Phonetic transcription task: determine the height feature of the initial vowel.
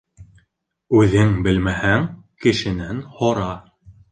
high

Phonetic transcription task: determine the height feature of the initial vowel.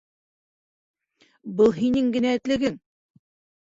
mid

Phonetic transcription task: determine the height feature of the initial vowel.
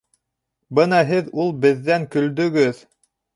mid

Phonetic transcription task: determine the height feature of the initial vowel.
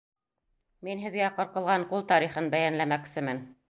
high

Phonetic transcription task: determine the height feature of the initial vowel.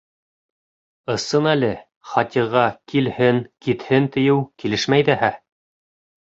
mid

